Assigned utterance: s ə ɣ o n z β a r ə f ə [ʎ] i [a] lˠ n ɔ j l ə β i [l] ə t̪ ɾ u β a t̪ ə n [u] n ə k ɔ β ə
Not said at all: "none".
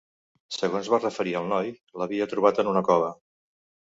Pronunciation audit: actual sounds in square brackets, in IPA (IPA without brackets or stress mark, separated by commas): ɾ, ə, none, u